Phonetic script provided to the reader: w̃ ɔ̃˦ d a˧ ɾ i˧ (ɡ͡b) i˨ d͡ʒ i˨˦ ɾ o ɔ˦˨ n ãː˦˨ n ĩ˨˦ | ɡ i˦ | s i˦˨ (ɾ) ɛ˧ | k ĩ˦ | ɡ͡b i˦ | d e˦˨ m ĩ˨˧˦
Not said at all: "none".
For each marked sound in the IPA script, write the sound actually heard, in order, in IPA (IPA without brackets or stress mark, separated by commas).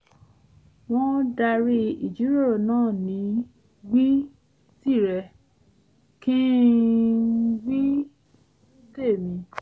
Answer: none, ɾ